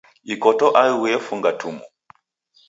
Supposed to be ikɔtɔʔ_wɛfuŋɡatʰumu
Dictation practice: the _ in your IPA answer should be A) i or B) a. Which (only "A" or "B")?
B